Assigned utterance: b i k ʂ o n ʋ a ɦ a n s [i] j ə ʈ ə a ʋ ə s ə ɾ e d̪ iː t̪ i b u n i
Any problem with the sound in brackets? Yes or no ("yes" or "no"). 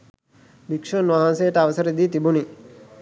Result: yes